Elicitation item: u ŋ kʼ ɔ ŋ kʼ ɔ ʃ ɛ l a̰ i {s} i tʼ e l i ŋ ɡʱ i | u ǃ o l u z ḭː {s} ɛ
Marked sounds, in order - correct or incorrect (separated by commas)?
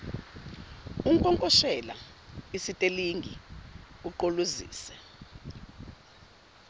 correct, correct